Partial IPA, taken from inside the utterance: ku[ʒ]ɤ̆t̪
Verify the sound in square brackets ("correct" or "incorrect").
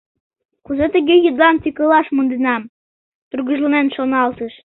incorrect